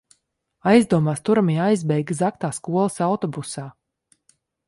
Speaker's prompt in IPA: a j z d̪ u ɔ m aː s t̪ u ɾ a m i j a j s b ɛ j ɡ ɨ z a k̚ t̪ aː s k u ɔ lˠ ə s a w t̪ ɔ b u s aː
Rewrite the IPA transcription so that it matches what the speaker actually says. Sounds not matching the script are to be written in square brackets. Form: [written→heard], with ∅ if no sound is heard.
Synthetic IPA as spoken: a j z d̪ u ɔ m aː s t̪ u ɾ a m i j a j [s→z] b ɛ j ɡ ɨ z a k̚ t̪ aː s k u ɔ lˠ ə s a w t̪ ɔ b u s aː